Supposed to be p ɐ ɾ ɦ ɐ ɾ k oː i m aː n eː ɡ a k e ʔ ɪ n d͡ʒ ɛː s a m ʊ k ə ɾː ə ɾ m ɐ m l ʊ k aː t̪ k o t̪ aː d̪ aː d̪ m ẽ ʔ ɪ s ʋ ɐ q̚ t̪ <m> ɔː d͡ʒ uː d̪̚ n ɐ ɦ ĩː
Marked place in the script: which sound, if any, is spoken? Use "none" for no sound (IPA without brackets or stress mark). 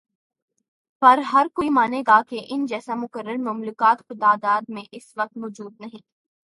m